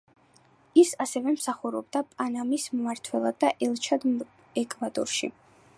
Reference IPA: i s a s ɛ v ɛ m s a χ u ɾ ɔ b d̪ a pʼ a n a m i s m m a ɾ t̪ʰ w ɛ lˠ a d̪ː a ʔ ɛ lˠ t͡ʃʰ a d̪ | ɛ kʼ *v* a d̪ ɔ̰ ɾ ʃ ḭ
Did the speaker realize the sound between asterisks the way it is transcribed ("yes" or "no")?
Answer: yes